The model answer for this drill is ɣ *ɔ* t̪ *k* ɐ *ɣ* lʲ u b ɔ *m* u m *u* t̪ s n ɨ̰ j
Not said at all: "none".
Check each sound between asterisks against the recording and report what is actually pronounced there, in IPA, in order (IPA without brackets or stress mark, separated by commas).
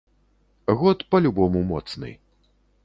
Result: ɔ, p, none, m, ɔ